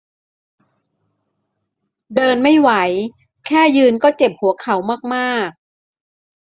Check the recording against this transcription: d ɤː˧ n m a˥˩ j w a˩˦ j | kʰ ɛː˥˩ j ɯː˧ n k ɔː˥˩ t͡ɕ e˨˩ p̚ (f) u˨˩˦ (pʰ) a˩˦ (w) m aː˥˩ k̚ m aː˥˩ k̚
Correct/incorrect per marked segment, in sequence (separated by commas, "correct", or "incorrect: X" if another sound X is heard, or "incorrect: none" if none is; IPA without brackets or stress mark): incorrect: h, incorrect: kʰ, correct